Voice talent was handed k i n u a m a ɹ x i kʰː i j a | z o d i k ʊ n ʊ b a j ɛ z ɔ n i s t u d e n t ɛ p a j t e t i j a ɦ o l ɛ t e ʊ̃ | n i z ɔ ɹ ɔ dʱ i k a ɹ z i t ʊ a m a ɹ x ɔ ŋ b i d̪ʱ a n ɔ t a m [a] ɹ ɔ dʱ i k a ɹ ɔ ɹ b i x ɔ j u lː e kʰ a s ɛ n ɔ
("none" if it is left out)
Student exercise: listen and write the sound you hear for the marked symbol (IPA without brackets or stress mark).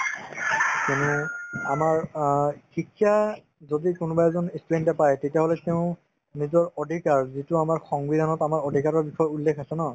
a